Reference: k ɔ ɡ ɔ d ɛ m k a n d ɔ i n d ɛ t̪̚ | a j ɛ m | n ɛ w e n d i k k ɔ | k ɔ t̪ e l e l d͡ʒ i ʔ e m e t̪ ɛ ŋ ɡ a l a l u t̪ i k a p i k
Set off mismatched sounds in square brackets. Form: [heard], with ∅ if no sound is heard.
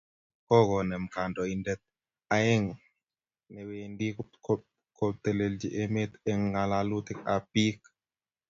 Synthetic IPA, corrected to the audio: k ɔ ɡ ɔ [n] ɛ m k a n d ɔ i n d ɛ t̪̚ | a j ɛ [ŋ] | n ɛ w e n d i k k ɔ | k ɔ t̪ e l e l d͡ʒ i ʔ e m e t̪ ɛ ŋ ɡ a l a l u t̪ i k a p i k